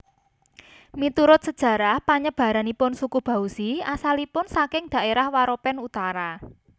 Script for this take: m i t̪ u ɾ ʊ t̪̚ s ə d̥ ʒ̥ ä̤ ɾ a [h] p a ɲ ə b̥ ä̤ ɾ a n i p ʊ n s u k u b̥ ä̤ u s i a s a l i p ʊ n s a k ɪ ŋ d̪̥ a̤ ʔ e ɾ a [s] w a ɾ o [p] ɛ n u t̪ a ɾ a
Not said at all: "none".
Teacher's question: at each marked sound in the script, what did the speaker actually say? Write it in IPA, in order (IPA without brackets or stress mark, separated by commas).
h, h, p